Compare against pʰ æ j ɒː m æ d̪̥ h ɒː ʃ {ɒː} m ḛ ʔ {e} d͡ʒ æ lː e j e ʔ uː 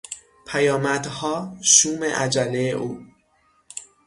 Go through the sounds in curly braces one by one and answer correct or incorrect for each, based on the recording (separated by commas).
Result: incorrect, incorrect